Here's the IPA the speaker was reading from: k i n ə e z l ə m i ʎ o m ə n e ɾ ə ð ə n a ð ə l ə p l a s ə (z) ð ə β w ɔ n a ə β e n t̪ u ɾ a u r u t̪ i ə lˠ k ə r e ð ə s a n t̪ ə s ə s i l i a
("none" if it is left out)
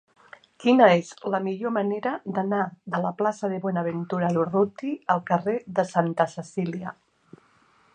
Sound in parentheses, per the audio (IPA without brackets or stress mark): none